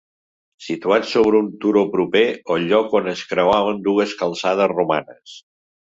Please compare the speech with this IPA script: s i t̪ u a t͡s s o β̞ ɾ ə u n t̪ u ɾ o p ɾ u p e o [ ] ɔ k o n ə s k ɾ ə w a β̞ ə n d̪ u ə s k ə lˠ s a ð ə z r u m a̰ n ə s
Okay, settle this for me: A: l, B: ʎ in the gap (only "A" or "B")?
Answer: B